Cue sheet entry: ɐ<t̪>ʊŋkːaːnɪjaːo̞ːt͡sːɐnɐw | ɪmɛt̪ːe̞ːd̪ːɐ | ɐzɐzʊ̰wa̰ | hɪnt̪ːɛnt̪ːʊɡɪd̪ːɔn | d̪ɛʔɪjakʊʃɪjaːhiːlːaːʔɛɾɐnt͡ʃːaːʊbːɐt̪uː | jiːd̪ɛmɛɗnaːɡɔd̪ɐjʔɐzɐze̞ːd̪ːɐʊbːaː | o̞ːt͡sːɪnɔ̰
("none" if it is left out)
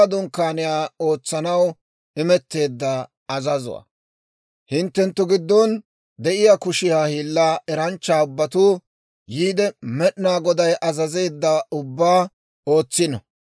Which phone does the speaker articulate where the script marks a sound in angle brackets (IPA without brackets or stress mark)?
d̪